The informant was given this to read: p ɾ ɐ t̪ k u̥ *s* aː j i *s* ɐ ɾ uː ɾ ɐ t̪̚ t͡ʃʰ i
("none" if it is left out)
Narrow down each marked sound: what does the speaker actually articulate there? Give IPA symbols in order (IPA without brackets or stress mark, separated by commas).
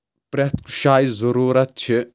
ʃ, z